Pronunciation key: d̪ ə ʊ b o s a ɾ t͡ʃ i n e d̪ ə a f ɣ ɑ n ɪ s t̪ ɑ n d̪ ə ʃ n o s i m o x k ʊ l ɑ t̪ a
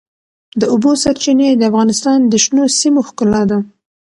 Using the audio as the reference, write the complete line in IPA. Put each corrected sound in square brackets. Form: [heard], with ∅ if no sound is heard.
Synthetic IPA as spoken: d̪ ə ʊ b o s a ɾ t͡ʃ i n e d̪ ə a f ɣ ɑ n ɪ s t̪ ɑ n d̪ ə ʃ n o s i m o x k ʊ l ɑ [d̪] a